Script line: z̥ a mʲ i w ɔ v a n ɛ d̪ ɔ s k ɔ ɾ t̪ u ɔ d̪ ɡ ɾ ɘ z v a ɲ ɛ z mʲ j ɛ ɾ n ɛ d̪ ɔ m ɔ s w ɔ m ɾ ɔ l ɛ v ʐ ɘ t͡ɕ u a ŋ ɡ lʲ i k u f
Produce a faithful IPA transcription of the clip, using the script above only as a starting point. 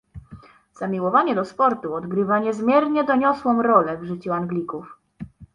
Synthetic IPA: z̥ a mʲ i w ɔ v a ɲ ɛ d̪ ɔ s p ɔ ɾ t̪ u ɔ d̪ ɡ ɾ ɘ v a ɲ ɛ z mʲ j ɛ ɾ ɲ ɛ d̪ ɔ ɲ ɔ s w ɔ m ɾ ɔ l ɛ v ʐ ɘ t͡ɕ u a ŋ ɡ lʲ i k u f